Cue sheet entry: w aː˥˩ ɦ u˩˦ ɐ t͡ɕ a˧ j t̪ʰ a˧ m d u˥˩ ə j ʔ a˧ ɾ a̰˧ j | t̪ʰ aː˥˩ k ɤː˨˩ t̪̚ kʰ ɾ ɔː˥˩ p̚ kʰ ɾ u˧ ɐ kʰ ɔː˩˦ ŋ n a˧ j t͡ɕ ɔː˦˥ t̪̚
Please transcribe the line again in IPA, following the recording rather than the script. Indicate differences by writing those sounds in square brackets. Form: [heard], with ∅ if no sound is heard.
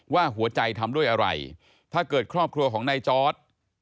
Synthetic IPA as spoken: w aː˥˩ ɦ u˩˦ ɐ t͡ɕ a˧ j t̪ʰ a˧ m d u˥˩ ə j ʔ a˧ ɾ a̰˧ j | t̪ʰ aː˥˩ k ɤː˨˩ t̪̚ kʰ ɾ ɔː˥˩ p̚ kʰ ɾ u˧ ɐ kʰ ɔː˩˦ ŋ n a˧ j t͡ɕ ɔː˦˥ t̪̚